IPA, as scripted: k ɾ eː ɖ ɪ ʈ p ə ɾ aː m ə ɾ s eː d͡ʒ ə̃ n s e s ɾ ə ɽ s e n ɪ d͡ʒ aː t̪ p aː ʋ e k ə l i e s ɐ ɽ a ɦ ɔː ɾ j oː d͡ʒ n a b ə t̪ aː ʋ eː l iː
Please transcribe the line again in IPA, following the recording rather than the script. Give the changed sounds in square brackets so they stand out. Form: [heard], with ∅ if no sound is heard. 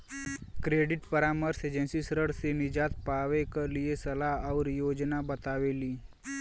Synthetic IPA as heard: k ɾ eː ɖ ɪ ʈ p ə ɾ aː m ə ɾ s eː d͡ʒ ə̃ n s [i] s ɾ ə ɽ s e n ɪ d͡ʒ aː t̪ p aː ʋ e k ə l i e s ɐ [l] a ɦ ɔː ɾ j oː d͡ʒ n a b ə t̪ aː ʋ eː l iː